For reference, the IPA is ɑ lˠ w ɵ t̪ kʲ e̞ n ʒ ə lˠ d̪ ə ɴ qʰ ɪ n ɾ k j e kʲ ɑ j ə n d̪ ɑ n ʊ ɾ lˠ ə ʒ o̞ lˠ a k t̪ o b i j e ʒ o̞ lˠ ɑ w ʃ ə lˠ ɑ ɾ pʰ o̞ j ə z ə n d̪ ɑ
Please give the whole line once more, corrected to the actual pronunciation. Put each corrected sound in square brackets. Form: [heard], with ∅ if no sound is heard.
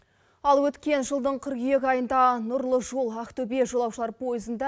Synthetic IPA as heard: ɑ lˠ w ɵ t̪ kʲ e̞ n ʒ ə lˠ d̪ ə ɴ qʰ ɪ [∅] ɾ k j e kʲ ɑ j ə n d̪ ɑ n ʊ ɾ lˠ ə ʒ o̞ lˠ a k t̪ o b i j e ʒ o̞ lˠ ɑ w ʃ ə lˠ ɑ ɾ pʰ o̞ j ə z ə n d̪ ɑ